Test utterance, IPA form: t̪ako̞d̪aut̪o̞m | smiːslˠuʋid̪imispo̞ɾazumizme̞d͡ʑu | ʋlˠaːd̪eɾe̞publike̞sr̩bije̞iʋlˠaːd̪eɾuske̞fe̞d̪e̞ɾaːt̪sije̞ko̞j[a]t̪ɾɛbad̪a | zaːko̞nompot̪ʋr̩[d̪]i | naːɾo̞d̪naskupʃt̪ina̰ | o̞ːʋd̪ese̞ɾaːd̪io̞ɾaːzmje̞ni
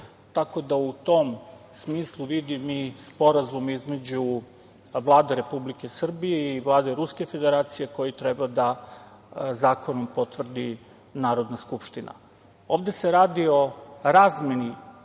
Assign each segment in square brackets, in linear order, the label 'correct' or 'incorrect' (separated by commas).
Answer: incorrect, correct